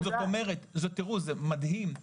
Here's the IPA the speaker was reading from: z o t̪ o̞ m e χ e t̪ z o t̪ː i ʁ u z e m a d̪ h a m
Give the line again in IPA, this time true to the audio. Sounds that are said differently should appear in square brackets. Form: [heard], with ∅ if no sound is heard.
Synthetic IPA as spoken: z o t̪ o̞ m e [ʁ] e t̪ z o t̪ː i ʁ u z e m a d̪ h [i] m